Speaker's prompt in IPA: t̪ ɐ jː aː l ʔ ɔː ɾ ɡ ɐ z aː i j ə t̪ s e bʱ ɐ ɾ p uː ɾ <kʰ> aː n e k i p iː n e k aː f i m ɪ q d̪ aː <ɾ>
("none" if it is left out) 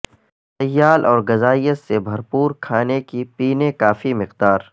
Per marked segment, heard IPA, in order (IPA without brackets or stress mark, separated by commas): kʰ, ɾ